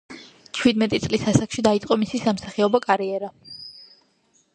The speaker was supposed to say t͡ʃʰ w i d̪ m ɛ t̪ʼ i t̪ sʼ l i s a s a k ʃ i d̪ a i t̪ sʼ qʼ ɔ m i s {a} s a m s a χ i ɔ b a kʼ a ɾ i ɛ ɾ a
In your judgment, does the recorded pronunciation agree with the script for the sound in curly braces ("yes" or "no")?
no